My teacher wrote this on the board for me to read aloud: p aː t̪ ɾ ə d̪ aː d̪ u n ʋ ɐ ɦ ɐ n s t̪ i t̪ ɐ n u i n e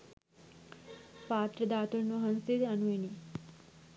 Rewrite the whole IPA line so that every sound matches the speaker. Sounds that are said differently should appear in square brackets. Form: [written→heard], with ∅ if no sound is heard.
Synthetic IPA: p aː t̪ ɾ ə d̪ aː [d̪→t̪] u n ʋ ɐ ɦ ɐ n s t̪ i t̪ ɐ n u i n [e→i]